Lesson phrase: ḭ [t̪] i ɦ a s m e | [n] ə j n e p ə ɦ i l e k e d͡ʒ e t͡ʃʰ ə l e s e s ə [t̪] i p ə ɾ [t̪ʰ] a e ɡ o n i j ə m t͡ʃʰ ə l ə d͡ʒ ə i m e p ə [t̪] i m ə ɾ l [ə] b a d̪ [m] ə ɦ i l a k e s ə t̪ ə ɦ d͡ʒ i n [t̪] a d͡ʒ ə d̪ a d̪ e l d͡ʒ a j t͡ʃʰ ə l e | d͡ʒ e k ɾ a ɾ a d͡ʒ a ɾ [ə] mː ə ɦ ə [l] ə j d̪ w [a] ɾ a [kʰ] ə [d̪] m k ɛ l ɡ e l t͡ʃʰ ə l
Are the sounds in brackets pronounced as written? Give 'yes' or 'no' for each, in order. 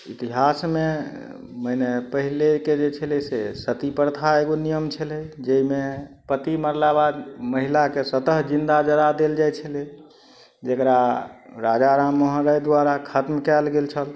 yes, no, yes, yes, yes, no, yes, no, no, no, yes, yes, no

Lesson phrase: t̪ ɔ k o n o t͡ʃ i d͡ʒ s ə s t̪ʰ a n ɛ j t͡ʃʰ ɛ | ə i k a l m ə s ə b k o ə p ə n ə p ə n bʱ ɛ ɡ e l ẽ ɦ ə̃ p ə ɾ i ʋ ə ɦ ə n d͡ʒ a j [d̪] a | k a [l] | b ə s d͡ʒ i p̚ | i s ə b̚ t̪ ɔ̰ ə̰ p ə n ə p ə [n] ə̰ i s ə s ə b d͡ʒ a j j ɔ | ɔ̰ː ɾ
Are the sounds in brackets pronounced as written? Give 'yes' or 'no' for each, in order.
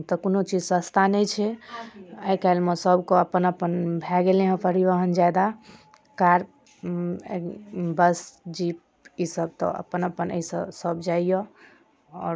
yes, no, yes

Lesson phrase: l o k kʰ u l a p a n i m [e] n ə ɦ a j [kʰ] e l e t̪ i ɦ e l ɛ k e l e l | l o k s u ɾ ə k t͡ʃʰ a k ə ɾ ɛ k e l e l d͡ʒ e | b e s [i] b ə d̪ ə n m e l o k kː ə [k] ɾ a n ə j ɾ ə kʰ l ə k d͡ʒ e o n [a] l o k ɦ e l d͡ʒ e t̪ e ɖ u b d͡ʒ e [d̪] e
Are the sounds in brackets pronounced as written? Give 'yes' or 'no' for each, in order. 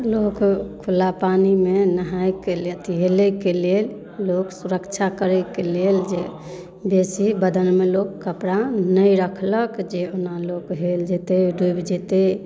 yes, no, yes, no, yes, no

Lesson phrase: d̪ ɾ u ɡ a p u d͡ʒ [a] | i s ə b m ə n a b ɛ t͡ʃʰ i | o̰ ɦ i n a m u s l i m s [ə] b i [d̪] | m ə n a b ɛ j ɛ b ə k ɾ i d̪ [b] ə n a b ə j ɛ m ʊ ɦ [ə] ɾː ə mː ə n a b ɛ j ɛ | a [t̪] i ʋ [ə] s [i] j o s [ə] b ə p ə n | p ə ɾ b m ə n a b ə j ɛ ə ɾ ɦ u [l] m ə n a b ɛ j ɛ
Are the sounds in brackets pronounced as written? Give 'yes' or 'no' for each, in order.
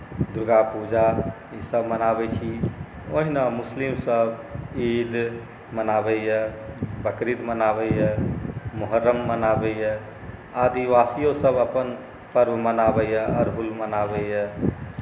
yes, yes, yes, no, yes, no, no, yes, yes, yes

